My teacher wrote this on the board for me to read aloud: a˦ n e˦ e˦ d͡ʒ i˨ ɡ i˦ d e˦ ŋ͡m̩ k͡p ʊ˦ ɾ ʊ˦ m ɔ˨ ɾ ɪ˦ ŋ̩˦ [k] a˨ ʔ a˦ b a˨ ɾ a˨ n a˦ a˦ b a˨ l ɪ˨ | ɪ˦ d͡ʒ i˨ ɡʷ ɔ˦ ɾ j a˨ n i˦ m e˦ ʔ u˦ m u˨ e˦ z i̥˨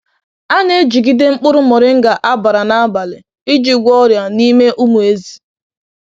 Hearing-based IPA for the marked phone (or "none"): ɡ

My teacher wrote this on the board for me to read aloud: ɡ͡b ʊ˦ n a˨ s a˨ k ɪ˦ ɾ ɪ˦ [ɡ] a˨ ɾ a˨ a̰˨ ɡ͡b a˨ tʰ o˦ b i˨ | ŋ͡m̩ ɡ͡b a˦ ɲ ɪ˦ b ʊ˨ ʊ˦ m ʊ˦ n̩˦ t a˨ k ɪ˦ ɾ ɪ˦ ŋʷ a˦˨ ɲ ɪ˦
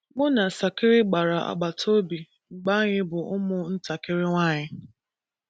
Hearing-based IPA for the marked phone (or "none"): ɡ͡b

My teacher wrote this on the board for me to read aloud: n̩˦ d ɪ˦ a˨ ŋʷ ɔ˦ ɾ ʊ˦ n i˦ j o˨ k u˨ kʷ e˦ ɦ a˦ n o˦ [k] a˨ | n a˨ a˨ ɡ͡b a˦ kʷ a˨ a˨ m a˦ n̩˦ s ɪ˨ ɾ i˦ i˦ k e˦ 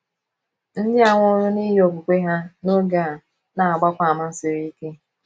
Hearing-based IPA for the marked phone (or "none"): ɡ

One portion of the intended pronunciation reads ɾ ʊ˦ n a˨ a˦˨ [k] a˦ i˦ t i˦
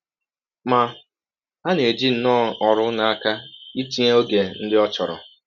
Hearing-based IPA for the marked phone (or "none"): k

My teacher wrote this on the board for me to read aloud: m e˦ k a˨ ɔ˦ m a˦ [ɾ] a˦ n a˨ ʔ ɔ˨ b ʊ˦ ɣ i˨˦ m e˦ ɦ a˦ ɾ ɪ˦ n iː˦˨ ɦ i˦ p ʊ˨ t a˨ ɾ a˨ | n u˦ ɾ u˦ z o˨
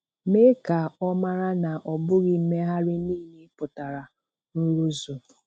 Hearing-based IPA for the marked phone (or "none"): ɾ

